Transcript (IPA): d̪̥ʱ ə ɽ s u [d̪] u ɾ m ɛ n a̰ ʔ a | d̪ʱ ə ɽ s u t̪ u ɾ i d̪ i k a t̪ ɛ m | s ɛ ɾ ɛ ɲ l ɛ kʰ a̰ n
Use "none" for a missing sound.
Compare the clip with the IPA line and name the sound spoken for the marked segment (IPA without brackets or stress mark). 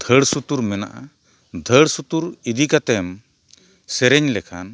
t̪